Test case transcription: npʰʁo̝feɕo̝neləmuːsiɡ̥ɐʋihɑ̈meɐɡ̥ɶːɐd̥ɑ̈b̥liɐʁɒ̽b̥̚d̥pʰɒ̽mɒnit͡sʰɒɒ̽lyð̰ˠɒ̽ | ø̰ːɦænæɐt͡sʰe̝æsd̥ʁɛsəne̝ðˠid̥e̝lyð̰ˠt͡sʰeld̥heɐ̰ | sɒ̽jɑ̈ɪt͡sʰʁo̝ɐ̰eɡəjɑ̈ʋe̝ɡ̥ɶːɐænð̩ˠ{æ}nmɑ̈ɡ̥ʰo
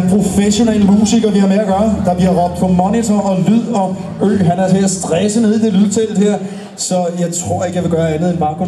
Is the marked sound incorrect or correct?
incorrect